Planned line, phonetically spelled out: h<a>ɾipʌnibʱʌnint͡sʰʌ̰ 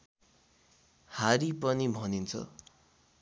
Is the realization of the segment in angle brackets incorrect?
no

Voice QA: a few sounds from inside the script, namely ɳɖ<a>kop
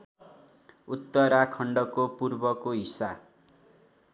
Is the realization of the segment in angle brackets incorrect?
yes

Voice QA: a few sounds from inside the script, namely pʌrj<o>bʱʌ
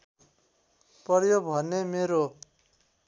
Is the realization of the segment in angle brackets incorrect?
no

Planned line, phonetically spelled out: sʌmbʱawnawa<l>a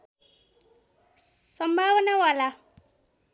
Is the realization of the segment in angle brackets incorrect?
no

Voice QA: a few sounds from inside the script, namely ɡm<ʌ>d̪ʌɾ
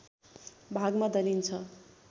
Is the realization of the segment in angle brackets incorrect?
yes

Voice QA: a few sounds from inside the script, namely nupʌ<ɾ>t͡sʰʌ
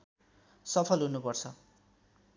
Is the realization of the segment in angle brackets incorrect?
yes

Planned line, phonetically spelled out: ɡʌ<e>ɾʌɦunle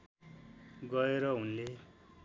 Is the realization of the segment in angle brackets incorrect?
no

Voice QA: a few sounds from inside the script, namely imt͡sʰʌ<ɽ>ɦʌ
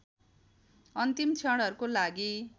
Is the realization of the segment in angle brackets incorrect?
no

